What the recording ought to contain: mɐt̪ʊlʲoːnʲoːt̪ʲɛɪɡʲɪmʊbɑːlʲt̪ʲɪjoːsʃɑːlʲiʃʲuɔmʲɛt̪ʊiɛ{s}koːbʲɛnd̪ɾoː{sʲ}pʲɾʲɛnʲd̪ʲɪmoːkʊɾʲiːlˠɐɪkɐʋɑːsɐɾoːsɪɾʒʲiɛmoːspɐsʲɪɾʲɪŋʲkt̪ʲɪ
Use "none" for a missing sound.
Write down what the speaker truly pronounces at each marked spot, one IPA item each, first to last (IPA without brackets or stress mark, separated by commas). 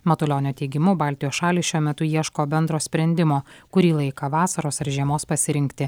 ʃ, sʲ